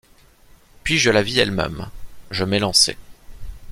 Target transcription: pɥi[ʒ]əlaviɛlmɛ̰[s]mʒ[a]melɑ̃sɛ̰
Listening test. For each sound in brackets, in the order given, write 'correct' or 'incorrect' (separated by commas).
correct, incorrect, incorrect